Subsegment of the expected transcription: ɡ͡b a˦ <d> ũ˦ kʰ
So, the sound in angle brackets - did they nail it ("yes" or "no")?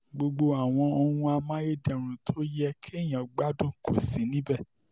yes